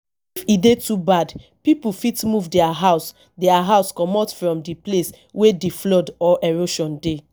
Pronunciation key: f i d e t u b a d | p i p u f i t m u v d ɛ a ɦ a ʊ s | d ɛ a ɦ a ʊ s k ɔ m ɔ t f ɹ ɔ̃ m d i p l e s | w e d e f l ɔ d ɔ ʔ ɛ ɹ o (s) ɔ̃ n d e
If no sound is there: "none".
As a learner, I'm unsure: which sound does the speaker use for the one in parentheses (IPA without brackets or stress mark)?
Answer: ʃ